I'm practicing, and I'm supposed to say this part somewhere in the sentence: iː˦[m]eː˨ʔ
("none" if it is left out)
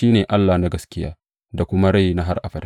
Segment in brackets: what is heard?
n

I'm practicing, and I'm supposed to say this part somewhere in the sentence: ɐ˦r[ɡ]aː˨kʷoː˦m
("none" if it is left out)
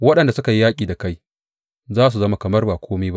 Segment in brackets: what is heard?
b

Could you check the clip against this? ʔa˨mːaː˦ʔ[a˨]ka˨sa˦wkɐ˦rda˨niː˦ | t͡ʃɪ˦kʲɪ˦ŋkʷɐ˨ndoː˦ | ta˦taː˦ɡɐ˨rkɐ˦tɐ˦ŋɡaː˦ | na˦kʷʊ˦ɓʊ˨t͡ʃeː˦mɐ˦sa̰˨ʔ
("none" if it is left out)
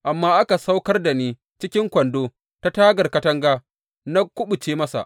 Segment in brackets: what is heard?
a˦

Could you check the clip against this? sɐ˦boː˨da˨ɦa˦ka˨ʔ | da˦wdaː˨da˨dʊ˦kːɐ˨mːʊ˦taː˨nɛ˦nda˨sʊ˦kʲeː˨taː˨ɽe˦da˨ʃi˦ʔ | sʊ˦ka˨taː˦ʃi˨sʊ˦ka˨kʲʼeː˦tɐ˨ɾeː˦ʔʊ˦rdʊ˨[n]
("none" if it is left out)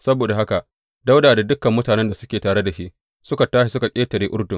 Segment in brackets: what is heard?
ŋ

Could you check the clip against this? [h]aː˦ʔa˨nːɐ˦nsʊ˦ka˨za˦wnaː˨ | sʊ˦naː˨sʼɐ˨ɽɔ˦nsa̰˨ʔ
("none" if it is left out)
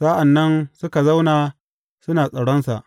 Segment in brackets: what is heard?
s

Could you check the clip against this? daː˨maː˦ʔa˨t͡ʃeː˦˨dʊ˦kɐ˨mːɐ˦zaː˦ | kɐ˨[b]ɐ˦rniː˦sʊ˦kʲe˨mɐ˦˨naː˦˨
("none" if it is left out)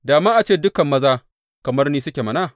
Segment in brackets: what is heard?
m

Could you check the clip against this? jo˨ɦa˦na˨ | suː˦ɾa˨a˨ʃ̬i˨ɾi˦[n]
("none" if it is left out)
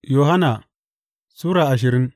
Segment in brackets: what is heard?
n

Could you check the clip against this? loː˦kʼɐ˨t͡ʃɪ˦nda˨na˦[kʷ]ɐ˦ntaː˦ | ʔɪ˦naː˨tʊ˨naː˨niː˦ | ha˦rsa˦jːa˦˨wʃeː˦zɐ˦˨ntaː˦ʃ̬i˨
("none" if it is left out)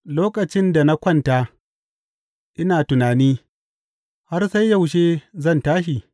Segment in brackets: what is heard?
kʷ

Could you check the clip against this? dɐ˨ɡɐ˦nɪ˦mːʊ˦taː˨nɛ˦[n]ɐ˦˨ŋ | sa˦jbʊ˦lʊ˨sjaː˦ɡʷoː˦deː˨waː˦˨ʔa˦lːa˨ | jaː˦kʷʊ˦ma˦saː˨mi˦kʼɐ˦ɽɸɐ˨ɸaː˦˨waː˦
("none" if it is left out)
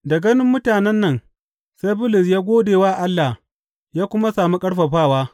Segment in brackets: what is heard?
nː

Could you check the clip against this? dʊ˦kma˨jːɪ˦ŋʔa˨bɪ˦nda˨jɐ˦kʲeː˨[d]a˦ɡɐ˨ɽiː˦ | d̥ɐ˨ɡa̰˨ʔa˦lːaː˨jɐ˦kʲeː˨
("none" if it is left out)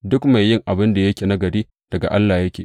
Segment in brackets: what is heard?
n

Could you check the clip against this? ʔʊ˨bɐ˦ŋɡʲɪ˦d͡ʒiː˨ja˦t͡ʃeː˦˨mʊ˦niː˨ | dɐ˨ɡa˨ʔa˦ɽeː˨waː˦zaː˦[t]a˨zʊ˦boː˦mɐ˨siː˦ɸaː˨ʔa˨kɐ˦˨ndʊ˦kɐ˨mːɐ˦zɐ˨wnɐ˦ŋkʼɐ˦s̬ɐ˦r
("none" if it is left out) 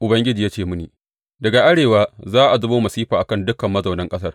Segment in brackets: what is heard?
ʔ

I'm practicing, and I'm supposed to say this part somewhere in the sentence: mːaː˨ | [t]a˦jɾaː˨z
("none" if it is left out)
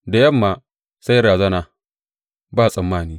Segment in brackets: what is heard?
s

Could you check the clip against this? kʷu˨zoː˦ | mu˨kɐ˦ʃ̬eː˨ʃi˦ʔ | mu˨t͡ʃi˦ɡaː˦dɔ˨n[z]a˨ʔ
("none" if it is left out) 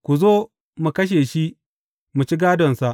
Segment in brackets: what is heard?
s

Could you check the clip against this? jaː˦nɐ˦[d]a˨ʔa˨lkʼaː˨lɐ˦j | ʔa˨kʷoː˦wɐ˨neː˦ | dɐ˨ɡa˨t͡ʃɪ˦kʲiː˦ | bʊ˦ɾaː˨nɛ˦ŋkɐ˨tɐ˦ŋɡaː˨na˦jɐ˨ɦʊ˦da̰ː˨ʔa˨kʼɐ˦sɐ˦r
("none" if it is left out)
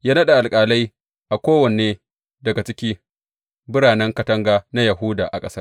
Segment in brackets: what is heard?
ɗ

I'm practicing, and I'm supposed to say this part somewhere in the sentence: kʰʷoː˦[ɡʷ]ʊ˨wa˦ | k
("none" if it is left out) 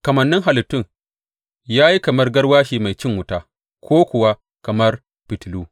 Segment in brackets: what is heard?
kʷ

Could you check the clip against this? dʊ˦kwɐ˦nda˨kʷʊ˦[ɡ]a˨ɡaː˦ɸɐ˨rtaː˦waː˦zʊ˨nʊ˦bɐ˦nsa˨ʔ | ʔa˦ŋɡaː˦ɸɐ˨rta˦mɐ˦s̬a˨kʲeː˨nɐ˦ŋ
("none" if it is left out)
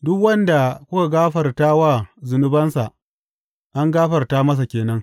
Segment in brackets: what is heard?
k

